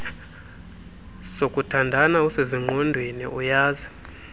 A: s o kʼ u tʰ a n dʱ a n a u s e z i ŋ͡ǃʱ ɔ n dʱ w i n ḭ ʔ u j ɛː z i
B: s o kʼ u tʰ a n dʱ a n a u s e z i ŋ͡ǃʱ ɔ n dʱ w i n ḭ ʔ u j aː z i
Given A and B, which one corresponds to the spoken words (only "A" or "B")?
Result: B